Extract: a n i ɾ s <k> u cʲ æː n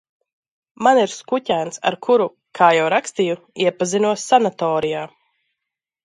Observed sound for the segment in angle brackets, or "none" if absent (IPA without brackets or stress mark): k